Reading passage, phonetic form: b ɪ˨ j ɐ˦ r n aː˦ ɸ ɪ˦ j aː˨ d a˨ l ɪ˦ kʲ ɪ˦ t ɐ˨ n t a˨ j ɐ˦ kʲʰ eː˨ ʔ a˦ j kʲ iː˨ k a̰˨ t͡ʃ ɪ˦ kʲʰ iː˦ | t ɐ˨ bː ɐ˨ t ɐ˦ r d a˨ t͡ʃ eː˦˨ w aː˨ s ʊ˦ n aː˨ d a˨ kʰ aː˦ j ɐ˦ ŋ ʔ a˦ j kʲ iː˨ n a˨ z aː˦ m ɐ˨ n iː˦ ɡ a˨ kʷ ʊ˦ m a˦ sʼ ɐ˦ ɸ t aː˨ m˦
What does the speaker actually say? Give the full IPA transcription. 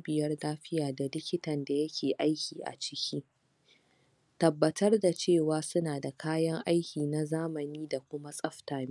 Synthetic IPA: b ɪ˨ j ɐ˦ r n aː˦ ɸ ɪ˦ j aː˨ d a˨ l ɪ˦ kʲ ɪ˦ t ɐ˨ n d a˨ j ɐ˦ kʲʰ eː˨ ʔ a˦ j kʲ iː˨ ʔ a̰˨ t͡ʃ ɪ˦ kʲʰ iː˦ | t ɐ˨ bː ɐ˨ t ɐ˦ r d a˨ t͡ʃ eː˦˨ w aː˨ s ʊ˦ n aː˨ d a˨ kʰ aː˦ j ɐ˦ ŋ ʔ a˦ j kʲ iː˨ n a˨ z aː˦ m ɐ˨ n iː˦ d a˨ kʷ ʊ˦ m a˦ sʼ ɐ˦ ɸ t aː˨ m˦